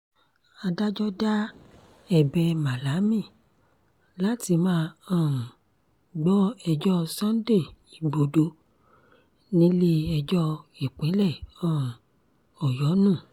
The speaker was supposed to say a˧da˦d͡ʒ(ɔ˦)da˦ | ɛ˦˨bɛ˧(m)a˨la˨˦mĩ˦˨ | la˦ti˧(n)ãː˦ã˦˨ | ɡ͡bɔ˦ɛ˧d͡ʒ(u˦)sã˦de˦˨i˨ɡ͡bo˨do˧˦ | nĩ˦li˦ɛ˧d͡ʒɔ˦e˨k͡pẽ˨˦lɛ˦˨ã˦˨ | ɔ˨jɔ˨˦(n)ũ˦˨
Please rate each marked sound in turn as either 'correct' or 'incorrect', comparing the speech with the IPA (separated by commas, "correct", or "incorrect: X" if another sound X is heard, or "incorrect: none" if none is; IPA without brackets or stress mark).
correct, correct, incorrect: m, incorrect: ɔ˦, correct